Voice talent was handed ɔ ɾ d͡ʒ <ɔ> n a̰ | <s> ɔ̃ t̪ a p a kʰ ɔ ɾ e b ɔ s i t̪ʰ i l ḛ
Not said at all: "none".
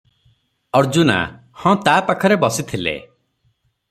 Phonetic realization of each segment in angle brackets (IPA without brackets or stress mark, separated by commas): u, h